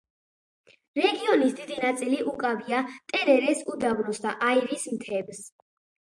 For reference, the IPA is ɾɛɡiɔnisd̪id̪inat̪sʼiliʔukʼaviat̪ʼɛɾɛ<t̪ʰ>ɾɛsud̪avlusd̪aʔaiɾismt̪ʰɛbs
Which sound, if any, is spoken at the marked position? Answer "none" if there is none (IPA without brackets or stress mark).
none